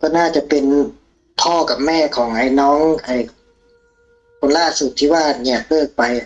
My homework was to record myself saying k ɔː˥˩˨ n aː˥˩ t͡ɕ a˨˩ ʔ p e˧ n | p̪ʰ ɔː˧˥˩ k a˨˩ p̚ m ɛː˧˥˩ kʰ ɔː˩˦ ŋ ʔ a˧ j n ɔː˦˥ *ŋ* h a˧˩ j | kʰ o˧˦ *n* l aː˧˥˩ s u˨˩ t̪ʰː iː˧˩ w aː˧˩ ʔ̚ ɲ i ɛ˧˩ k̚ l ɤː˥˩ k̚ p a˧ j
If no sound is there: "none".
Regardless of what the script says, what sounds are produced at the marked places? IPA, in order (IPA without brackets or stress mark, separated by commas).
ŋ, n